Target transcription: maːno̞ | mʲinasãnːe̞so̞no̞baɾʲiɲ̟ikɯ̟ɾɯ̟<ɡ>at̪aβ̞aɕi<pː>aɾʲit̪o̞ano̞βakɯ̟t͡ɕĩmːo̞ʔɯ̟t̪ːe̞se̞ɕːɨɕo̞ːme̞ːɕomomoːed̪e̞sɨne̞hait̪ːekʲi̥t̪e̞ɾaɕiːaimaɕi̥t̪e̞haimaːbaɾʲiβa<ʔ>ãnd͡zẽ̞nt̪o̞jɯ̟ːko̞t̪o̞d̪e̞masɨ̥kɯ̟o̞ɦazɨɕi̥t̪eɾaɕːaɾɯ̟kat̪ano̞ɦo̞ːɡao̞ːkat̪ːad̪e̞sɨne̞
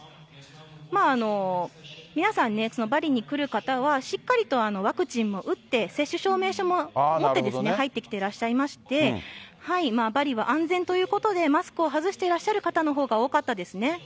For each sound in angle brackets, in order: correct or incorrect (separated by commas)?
incorrect, incorrect, correct